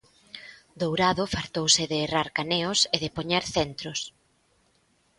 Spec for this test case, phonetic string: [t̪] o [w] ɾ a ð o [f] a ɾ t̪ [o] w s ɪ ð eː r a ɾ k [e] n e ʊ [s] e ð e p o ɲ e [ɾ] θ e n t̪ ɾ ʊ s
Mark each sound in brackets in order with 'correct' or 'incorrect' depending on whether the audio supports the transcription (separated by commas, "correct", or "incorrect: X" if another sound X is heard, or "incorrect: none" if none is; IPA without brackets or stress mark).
incorrect: d̪, correct, correct, correct, incorrect: a, correct, correct